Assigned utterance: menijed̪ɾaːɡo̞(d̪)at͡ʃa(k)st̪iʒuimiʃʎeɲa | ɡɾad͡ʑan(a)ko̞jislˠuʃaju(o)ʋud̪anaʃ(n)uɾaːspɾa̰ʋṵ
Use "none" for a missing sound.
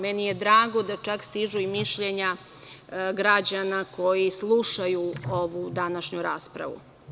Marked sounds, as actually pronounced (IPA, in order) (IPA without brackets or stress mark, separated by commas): d̪, k, a, o, ɲ